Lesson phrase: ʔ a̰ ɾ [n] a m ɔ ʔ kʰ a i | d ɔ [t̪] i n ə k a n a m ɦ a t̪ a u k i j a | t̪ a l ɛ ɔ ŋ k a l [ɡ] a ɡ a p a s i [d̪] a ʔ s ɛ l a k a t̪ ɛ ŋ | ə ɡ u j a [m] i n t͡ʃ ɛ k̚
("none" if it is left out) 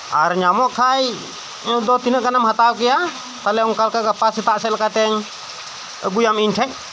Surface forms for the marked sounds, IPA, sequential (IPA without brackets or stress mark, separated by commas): ɲ, t̪, k, t̪, m